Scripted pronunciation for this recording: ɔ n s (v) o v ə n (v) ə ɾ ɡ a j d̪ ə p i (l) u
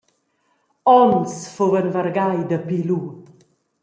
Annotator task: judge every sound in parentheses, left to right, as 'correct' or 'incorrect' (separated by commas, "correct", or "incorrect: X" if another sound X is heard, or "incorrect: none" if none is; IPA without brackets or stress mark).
incorrect: f, correct, correct